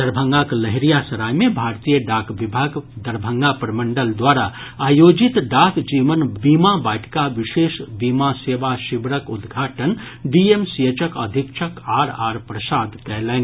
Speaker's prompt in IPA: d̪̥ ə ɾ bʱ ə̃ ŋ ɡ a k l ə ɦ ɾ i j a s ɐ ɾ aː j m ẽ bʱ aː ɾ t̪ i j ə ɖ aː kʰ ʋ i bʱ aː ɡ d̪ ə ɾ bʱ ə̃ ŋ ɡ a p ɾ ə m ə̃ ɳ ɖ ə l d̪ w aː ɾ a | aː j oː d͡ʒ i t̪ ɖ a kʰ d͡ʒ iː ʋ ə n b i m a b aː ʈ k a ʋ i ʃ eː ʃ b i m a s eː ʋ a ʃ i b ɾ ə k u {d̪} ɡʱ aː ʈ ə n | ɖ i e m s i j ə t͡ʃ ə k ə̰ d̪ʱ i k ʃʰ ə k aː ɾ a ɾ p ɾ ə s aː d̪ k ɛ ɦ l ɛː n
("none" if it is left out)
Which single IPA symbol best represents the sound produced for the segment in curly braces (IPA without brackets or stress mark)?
d̪